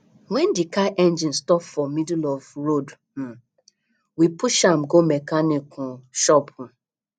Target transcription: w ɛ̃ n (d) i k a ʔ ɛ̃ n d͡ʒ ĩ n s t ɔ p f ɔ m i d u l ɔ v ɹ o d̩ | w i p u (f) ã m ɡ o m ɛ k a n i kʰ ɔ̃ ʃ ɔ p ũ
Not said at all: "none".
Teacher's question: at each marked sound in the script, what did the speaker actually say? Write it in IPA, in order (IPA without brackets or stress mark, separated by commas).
d, ʃ